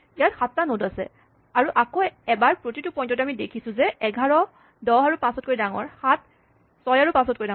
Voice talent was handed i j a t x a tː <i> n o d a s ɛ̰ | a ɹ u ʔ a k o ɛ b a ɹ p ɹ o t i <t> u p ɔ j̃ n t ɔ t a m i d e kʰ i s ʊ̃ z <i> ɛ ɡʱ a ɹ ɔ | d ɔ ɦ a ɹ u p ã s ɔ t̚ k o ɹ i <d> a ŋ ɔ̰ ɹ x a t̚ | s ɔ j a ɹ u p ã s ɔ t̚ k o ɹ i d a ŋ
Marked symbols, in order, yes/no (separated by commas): no, yes, no, yes